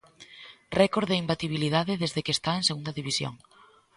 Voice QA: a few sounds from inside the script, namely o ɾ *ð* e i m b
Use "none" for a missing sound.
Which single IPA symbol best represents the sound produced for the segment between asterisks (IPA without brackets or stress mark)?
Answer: ð